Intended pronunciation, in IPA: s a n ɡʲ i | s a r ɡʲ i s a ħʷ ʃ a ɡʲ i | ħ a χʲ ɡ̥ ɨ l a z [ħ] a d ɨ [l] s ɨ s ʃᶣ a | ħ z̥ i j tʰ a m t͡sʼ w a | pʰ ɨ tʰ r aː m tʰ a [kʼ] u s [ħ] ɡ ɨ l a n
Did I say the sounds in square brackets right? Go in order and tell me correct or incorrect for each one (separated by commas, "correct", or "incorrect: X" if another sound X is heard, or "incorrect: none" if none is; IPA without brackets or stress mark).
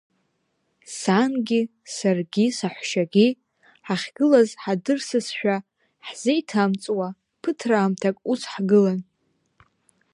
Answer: correct, incorrect: r, correct, correct